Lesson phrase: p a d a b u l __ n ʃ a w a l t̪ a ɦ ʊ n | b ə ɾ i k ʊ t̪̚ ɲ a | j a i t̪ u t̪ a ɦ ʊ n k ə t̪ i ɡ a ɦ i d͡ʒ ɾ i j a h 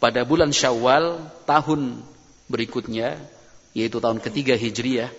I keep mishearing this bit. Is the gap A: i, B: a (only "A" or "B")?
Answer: B